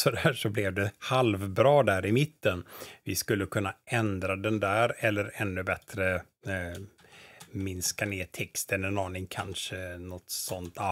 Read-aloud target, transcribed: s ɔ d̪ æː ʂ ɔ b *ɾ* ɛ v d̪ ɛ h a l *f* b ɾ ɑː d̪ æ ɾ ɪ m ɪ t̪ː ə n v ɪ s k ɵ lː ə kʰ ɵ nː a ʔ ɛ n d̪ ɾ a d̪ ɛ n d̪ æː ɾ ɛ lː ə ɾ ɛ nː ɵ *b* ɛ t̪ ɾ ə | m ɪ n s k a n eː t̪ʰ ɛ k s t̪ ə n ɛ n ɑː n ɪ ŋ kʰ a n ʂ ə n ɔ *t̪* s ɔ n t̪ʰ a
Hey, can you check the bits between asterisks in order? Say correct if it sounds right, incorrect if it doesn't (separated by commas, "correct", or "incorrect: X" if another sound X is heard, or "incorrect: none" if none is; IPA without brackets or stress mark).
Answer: incorrect: l, incorrect: v, correct, correct